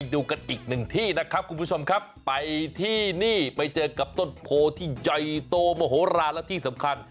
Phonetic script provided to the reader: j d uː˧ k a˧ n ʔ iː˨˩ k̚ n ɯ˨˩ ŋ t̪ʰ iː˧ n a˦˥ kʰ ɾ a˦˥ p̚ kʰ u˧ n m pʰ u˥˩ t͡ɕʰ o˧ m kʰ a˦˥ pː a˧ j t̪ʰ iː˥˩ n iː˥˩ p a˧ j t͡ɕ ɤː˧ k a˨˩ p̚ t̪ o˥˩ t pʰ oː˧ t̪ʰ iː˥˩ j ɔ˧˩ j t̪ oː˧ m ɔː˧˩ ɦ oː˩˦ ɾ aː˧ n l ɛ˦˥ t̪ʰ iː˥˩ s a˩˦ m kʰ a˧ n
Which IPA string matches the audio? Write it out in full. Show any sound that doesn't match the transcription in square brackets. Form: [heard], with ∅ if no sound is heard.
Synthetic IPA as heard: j d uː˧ k a˧ n ʔ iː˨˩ k̚ n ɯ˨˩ ŋ t̪ʰ [iː˥˩] n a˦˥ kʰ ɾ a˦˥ p̚ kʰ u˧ n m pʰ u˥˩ t͡ɕʰ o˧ m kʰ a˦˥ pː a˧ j t̪ʰ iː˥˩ n iː˥˩ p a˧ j t͡ɕ ɤː˧ k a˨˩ p̚ t̪ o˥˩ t pʰ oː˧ t̪ʰ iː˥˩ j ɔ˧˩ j t̪ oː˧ m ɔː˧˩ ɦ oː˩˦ ɾ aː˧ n l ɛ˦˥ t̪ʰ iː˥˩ s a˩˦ m kʰ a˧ n

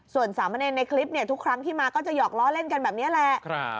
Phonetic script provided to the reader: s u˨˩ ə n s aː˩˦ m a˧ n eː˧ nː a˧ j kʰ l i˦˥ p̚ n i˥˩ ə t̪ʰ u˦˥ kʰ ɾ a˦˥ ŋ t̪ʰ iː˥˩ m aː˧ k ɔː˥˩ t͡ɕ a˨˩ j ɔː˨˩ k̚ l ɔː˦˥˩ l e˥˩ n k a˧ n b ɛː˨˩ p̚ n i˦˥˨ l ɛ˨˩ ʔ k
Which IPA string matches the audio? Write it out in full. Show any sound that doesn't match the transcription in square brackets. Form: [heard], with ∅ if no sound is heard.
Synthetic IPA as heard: s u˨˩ ə n s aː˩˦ m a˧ n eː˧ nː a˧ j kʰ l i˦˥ p̚ n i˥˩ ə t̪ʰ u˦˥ kʰ ɾ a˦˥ ŋ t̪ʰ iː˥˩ m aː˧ k ɔː˥˩ t͡ɕ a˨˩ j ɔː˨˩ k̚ l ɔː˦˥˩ l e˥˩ n k a˧ n b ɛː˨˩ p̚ n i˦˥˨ l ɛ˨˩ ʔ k

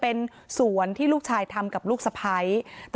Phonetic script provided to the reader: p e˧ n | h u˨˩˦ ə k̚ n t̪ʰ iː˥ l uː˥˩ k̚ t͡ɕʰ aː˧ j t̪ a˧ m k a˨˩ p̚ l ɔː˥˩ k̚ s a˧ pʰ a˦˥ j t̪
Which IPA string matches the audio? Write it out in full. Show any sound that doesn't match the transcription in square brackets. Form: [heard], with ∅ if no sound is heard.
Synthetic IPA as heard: p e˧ n | [s] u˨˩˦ ə [∅] n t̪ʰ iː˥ l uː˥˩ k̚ t͡ɕʰ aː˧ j [t̪ʰ] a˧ m k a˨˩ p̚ l [uː˥˩] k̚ s a˧ pʰ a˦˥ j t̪

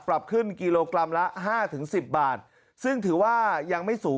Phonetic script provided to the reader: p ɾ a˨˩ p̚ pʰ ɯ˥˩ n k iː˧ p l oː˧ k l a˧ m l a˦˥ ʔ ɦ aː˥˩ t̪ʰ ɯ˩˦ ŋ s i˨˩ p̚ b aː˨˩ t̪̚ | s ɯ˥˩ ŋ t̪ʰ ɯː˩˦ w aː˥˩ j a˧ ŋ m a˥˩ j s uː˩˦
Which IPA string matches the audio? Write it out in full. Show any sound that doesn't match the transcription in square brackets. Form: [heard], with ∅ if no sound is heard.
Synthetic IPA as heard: p ɾ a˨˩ p̚ [kʰ] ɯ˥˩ n k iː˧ [∅] l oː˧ k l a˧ m l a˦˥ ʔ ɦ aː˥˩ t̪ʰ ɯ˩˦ ŋ s i˨˩ p̚ b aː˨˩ t̪̚ | s ɯ˥˩ ŋ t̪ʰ ɯː˩˦ w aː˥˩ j a˧ ŋ m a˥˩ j s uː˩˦

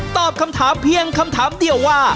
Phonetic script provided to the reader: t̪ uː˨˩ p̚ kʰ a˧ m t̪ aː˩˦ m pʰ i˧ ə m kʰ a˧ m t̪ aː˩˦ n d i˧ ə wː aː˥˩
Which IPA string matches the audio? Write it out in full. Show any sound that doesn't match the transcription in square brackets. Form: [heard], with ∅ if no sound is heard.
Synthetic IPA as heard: t̪ [ɔː˨˩] p̚ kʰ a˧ m [t̪ʰ] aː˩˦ m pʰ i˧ ə [ŋ] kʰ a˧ m [t̪ʰ] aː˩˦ [m] d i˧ ə wː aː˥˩

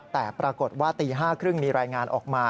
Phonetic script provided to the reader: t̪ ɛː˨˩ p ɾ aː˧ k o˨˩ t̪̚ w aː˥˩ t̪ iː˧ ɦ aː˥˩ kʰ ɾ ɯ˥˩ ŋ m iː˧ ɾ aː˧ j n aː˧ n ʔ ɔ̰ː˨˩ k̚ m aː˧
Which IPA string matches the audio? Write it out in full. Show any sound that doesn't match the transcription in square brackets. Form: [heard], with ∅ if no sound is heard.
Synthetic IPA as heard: t̪ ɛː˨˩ p ɾ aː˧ k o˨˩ t̪̚ w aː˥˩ t̪ iː˧ ɦ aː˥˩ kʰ ɾ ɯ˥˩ ŋ m iː˧ ɾ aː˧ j [ŋ] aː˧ n ʔ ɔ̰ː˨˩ k̚ m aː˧

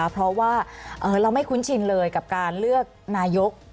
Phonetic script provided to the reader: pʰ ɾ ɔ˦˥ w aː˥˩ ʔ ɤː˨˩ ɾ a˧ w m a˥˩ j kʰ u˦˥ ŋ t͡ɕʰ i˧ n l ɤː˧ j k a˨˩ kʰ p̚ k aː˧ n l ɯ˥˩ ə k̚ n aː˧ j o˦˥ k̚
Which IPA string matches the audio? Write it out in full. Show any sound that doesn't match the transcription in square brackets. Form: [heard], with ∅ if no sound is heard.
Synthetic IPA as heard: pʰ ɾ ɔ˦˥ w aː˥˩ ʔ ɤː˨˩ ɾ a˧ w m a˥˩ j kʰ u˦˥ [n] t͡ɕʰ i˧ n l ɤː˧ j k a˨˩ [∅] p̚ k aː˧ n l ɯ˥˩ ə k̚ n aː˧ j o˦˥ k̚

